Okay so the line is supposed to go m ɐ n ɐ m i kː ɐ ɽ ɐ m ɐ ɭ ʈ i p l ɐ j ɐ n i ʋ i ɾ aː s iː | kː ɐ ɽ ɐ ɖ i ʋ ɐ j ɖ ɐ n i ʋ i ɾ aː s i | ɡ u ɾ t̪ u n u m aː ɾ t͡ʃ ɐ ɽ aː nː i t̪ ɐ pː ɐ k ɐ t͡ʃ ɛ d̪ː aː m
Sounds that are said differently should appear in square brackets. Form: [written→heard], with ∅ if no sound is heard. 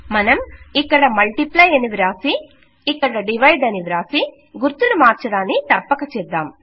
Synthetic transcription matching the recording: m ɐ n ɐ m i kː ɐ ɽ ɐ m ɐ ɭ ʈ i p l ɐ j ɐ n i ʋ i ɾ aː s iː | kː ɐ ɽ ɐ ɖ i ʋ ɐ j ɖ ɐ n i ʋ i ɾ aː s i | ɡ u ɾ t̪ u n u m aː ɾ t͡ʃ ɐ ɽ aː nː i t̪ ɐ pː ɐ k ɐ t͡ʃ ɛ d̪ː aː m